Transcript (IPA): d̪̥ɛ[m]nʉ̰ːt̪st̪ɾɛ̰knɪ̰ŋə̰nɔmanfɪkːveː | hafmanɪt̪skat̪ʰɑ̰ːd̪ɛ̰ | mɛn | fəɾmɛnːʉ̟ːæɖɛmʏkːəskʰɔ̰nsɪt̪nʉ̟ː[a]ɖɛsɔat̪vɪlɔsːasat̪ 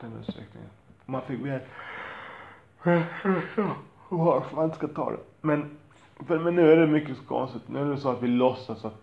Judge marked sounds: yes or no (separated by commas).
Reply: no, no